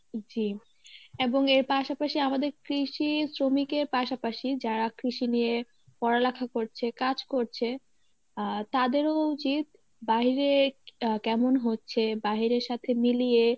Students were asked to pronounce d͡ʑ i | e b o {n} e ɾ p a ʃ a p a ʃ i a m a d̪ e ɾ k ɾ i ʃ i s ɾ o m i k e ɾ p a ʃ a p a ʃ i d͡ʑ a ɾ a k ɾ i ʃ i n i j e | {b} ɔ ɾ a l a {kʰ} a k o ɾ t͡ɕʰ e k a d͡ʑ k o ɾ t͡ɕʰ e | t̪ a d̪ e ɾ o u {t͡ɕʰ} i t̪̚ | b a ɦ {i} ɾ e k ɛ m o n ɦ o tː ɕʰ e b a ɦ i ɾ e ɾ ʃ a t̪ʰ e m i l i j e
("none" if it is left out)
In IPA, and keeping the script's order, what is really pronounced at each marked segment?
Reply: ŋ, p, kʰ, t͡ɕ, i

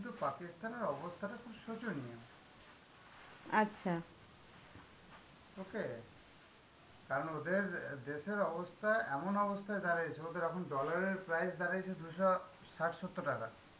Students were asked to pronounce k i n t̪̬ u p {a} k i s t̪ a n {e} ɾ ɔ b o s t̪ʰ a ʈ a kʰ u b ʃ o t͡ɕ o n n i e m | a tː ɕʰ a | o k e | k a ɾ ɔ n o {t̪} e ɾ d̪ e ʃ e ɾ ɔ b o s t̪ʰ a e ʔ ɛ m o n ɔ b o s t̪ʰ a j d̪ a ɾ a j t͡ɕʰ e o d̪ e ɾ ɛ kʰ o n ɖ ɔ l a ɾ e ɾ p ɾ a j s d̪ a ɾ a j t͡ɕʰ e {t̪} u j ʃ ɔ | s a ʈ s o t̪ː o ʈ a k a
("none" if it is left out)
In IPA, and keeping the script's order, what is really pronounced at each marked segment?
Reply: a, e, d̪, d̪

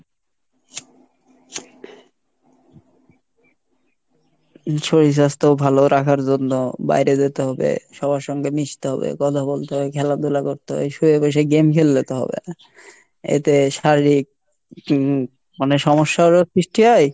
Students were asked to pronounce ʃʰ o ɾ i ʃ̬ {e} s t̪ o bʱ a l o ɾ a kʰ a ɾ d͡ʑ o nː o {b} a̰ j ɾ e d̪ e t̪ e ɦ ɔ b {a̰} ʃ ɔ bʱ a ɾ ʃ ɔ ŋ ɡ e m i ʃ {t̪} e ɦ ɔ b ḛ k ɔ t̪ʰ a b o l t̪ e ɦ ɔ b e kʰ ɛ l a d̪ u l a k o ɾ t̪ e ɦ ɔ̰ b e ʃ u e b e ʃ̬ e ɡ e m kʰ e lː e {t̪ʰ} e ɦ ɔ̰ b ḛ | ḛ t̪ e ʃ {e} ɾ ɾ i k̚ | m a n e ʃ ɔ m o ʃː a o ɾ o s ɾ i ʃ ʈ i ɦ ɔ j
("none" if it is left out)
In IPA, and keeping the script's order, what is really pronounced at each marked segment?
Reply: a, b, ḛ, t̪, t̪, a

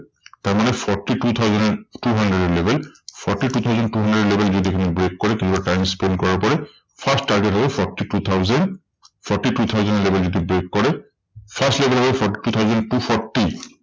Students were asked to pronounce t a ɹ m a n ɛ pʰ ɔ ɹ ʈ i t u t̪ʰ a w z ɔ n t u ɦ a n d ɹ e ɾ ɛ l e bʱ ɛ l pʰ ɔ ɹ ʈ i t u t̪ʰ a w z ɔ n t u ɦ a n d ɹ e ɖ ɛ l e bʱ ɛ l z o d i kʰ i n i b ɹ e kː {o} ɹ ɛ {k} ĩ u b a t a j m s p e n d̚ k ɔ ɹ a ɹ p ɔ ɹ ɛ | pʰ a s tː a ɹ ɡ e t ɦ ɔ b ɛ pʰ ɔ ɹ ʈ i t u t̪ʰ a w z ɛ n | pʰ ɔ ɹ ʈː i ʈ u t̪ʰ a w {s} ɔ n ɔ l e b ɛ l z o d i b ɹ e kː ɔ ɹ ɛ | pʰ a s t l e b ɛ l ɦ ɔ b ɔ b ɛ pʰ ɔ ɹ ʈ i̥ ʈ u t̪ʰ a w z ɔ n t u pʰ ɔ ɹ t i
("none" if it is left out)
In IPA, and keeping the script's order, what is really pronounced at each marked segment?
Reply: ɔ, k, z

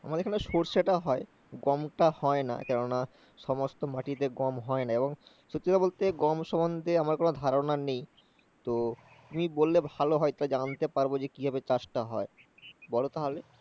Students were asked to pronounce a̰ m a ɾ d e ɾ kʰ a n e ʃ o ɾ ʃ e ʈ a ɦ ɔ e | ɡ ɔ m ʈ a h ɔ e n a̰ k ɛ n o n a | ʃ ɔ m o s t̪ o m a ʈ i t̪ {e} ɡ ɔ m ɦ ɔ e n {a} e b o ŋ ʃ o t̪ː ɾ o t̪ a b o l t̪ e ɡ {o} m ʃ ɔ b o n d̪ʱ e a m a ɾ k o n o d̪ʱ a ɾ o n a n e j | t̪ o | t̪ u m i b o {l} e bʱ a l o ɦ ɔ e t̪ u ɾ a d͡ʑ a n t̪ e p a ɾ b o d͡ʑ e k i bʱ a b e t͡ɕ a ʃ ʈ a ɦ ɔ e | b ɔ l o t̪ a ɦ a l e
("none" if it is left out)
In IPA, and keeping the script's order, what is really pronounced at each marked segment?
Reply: e, a, ɔ, lː

